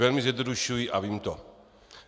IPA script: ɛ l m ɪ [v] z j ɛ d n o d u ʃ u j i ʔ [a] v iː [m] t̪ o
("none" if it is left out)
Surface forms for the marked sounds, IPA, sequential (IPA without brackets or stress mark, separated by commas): none, a, m